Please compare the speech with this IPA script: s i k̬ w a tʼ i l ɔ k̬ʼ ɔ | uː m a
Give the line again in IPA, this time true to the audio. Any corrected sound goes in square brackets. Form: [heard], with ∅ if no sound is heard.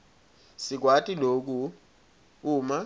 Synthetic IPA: s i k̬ w a tʼ i l [o] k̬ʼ [u] | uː m a